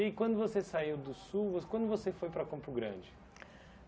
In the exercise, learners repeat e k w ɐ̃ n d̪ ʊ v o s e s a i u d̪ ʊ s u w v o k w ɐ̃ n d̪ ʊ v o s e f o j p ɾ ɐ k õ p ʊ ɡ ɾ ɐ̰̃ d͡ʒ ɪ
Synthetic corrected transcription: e k w ɐ̃ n d̪ ʊ v o s e s a i w d̪ ʊ s u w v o k w ɐ̃ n d̪ ʊ v o s e f o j p ɾ ɐ k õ p ʊ ɡ ɾ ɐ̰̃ d͡ʒ ɪ

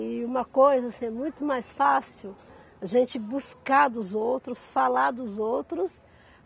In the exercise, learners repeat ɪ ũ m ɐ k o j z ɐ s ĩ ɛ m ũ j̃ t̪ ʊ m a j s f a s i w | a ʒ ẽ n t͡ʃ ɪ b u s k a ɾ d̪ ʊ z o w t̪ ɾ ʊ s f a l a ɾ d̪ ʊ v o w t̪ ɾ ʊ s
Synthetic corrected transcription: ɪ ũ m ɐ k o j z ɐ s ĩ ɛ m ũ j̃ t̪ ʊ m a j s f a s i w | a ʒ ẽ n t͡ʃ ɪ b u s k a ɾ d̪ ʊ z o w t̪ ɾ ʊ s f a l a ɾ d̪ ʊ z o w t̪ ɾ ʊ s

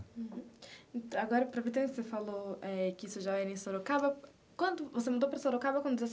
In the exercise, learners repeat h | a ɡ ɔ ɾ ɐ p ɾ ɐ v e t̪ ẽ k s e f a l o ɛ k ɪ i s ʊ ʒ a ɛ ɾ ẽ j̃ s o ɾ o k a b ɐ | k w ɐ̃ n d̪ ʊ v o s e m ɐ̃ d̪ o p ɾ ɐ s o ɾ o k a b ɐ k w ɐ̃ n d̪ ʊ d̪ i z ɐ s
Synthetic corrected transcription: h | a ɡ ɔ ɾ ɐ p ɾ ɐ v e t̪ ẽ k s e f a l o ɛ k ɪ i s ʊ ʒ a ɛ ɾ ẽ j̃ s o ɾ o k a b ɐ | k w ɐ̃ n d̪ ʊ v o s e m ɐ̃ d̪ o p ɾ ɐ s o ɾ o k a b ɐ k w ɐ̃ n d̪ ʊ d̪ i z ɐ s

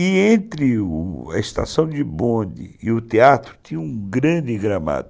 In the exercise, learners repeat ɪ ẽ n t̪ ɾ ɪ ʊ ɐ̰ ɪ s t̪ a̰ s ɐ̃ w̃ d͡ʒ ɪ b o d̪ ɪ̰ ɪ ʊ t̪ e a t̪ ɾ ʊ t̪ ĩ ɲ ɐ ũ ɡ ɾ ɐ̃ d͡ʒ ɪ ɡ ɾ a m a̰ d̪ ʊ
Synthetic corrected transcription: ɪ ẽ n t̪ ɾ ɪ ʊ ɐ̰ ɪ s t̪ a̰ s ɐ̃ w̃ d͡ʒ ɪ b õ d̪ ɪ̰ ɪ ʊ t̪ e a t̪ ɾ ʊ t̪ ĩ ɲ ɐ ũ ɡ ɾ ɐ̃ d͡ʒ ɪ ɡ ɾ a m a̰ d̪ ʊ

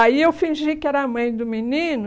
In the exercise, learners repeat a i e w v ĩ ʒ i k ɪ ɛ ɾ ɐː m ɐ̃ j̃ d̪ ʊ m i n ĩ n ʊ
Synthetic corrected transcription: a i e w f ĩ ʒ i k ɪ ɛ ɾ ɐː m ɐ̃ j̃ d̪ ʊ m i n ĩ n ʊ

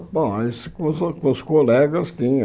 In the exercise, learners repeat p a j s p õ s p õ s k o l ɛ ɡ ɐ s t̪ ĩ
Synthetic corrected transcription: p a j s k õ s k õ s k o l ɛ ɡ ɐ s t̪ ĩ

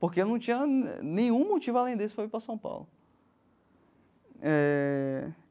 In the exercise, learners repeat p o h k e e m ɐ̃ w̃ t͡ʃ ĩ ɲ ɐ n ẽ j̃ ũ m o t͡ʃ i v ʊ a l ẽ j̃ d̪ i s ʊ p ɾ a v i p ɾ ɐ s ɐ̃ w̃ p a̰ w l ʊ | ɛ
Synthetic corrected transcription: p o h k e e n ɐ̃ w̃ t͡ʃ ĩ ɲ ɐ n ẽ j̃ ũ m o t͡ʃ i v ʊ a l ẽ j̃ d̪ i s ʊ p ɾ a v i p ɾ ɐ s ɐ̃ w̃ p a̰ w l ʊ | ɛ

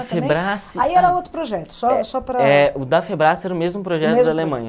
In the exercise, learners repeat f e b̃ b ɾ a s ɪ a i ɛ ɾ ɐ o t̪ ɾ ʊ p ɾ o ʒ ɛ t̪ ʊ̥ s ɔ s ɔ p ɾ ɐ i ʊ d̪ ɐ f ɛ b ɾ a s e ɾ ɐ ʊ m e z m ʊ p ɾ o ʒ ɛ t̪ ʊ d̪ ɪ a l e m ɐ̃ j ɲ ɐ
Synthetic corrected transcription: f e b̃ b ɾ a s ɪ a i ɛ ɾ ɐ o t̪ ɾ ʊ p ɾ o ʒ ɛ t̪ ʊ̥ s ɔ s ɔ p ɾ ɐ ɛ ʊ d̪ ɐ f e b ɾ a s ɛ ɾ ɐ ʊ m e z m ʊ p ɾ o ʒ ɛ t̪ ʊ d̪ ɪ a l e m ɐ̃ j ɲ ɐ

